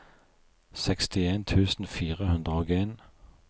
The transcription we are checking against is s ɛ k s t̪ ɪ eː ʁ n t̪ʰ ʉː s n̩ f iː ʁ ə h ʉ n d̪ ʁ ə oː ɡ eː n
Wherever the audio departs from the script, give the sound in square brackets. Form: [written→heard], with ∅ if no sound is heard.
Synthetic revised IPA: s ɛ k s t̪ ɪ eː [ʁ→∅] n t̪ʰ ʉː s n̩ f iː ʁ ə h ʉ n d̪ ʁ ə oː ɡ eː n